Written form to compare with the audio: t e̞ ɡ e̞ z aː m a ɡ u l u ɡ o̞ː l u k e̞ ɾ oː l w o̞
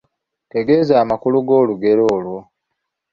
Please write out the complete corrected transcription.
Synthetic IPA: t e̞ ɡ e̞ z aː m a k u l u ɡ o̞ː l u ɡ e̞ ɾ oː l w o̞